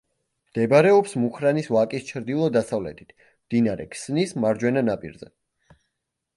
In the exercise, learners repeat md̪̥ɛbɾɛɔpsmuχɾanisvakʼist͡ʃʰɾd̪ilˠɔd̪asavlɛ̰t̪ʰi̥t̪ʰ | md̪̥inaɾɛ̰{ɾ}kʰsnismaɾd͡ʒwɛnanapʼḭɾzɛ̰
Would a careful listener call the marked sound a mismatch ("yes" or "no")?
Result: yes